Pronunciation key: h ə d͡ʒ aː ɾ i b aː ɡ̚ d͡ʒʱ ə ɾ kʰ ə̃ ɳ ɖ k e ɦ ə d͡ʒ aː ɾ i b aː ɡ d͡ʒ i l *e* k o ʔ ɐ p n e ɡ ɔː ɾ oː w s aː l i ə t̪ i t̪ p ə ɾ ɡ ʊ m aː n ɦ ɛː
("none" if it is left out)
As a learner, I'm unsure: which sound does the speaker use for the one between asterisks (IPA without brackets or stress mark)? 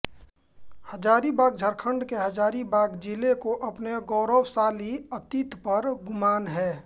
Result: e